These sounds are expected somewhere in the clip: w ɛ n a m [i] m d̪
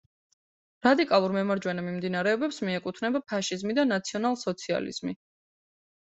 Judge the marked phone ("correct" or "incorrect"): correct